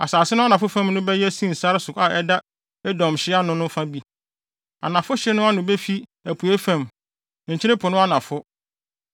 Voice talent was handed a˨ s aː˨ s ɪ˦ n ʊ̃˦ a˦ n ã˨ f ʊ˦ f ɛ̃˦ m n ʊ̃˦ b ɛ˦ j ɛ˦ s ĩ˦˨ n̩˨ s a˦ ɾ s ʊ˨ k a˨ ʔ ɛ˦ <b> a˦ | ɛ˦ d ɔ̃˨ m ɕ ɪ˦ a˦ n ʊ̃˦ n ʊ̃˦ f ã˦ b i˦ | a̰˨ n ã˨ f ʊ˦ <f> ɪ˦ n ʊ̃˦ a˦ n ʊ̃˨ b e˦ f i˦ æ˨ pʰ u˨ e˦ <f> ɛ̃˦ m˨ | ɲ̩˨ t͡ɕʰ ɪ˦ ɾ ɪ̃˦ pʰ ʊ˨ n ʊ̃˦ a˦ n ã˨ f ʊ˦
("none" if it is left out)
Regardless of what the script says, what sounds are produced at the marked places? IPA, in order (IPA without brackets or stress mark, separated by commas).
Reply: d, ɕ, f